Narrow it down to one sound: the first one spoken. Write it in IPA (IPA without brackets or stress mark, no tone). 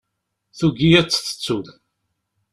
θ